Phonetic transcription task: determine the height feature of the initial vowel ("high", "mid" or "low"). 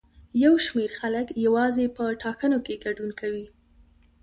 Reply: low